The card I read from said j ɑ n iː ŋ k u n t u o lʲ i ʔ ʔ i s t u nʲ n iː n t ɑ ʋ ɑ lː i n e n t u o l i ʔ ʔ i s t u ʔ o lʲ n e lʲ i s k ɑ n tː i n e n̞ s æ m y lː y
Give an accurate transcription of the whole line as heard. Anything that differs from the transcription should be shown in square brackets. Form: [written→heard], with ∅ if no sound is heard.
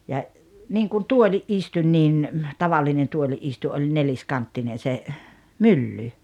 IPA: j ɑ n iː ŋ k u n t u o lʲ i ʔ ʔ i s t u nʲ n iː n t ɑ ʋ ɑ lː i n e n t u o l i ʔ ʔ i s t u ʔ o lʲ n e lʲ i s k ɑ n tː i n e n̞ s [æ→e] m y lː y